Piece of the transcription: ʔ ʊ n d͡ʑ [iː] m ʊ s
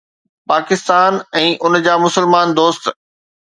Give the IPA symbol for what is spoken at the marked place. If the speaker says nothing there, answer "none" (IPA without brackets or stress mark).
aː